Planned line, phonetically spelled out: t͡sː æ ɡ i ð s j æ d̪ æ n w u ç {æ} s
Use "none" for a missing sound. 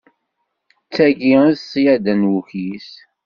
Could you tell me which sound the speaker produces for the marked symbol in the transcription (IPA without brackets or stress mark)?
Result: i